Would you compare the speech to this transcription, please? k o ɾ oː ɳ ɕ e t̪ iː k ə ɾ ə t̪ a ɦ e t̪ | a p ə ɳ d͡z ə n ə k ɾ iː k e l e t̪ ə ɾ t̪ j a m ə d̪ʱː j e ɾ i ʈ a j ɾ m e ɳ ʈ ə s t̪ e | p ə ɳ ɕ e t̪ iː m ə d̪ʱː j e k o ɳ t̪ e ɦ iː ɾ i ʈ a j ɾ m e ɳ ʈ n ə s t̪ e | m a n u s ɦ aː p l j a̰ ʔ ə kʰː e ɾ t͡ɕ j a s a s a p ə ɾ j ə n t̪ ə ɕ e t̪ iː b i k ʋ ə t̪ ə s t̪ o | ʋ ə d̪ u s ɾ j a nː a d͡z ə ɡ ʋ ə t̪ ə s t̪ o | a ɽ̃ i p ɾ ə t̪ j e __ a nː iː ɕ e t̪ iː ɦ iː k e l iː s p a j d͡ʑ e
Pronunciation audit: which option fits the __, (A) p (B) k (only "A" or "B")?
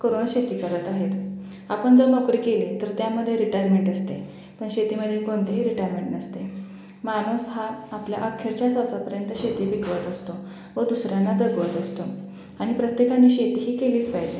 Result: B